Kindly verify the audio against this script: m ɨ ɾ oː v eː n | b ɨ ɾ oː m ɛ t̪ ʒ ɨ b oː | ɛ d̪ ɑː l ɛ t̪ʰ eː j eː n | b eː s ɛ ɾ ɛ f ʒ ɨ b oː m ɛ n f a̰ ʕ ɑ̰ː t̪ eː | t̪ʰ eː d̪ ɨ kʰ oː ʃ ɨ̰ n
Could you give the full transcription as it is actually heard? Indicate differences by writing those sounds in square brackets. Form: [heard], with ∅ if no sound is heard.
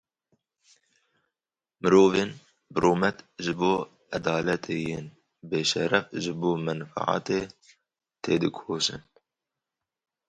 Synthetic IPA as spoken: m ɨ ɾ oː v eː n | b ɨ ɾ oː m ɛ t̪ ʒ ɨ b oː | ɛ d̪ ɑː l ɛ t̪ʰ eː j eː n | b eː [ʃ] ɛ ɾ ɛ f ʒ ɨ b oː m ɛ n f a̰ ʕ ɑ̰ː t̪ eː | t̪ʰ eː d̪ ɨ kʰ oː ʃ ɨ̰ n